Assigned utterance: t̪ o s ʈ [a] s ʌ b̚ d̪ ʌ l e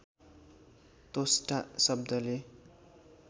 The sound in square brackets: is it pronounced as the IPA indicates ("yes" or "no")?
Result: yes